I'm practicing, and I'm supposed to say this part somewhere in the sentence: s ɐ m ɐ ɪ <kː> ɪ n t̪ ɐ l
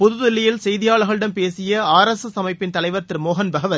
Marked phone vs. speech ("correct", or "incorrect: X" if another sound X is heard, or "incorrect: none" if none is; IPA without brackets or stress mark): incorrect: pː